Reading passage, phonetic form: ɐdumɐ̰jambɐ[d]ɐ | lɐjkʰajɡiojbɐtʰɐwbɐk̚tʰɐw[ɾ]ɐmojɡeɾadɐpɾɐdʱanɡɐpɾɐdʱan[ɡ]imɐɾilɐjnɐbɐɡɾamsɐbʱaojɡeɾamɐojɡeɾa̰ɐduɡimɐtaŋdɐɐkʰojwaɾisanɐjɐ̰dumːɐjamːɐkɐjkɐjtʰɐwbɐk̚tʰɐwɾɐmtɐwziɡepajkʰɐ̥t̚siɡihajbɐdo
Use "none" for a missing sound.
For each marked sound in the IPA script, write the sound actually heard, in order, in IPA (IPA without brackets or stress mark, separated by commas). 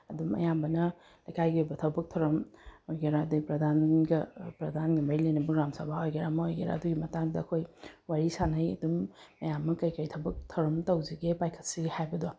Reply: n, ɾ, ɡ